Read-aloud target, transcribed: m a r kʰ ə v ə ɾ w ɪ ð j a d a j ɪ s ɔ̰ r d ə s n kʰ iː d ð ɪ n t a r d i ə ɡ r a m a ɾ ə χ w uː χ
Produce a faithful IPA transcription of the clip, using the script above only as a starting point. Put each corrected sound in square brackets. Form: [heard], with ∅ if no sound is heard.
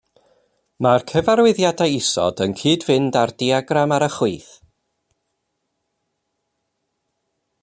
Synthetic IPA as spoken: m a r kʰ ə v [a] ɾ w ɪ ð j a d a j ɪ s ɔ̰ [∅] d ə [∅] n kʰ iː d [v] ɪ n [d] a r d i [a] ɡ r a m a ɾ ə χ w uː [θ]